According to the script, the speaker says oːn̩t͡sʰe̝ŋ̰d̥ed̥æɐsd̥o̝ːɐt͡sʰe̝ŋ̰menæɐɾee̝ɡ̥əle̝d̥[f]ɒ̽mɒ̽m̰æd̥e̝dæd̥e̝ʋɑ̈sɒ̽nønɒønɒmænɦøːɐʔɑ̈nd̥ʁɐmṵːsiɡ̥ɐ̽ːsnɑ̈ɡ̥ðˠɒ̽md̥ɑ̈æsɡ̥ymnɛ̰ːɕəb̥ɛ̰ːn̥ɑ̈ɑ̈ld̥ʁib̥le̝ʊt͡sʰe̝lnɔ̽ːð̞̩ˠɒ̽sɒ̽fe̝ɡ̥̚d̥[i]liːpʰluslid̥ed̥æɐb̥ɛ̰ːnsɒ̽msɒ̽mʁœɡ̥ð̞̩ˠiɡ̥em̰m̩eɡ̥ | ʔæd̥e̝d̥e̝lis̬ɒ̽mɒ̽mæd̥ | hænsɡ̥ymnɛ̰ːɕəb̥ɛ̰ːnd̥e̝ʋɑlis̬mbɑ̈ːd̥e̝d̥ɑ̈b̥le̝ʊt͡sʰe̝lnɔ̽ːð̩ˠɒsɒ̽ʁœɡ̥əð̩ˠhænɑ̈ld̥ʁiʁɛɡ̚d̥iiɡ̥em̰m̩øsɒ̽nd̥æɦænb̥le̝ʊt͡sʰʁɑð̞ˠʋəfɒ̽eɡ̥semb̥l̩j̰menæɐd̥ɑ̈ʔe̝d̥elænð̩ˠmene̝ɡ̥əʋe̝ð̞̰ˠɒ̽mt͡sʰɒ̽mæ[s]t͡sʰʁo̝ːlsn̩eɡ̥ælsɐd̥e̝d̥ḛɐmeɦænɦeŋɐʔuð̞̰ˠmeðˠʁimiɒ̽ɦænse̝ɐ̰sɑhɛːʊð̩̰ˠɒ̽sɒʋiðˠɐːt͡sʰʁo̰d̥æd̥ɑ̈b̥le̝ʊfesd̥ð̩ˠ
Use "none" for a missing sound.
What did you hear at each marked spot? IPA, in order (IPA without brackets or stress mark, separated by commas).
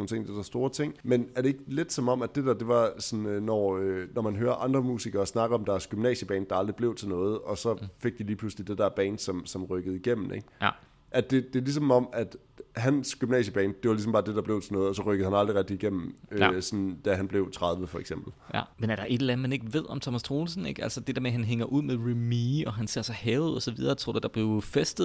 s, i, s